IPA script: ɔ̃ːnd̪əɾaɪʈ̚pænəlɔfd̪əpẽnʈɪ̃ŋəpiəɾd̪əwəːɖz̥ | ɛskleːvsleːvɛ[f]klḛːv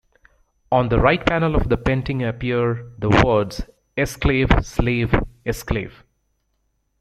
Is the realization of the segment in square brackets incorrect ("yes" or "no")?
yes